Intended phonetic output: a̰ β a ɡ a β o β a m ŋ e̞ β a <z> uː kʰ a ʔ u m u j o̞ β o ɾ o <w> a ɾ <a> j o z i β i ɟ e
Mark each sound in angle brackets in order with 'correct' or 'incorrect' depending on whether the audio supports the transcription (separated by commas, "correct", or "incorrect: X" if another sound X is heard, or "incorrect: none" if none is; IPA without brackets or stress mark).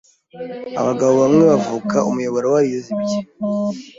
incorrect: v, correct, incorrect: i